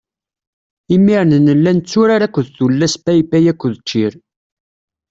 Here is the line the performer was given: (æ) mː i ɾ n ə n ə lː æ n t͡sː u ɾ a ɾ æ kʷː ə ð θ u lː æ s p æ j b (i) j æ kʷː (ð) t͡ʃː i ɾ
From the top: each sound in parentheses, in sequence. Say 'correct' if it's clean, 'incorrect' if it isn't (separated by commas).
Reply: incorrect, incorrect, correct